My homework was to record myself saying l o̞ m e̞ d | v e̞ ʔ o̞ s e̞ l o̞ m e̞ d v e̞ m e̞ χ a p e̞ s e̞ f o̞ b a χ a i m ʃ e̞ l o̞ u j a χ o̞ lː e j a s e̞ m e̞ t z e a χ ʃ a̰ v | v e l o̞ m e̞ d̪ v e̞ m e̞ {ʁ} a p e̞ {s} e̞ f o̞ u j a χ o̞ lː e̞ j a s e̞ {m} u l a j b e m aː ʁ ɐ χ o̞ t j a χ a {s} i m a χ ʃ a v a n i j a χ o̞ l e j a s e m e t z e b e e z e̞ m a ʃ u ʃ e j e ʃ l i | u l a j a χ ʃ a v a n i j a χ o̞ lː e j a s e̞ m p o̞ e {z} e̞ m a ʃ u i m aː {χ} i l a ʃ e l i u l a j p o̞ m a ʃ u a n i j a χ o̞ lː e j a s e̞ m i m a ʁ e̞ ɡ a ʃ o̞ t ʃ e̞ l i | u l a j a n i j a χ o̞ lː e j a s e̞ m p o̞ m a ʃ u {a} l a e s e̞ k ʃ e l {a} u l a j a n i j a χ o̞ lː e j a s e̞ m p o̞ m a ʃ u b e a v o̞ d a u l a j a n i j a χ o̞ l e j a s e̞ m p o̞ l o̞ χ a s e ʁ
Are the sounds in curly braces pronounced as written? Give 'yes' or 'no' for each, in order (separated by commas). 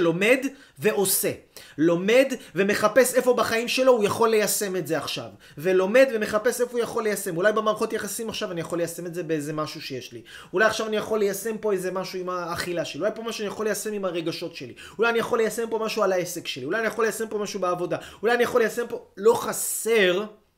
no, yes, yes, yes, yes, yes, yes, no